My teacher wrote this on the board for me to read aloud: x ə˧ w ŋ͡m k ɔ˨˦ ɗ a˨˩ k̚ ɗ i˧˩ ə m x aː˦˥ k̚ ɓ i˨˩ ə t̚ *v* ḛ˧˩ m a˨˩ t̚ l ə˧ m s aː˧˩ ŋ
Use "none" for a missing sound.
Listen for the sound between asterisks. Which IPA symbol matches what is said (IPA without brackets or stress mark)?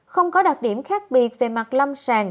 v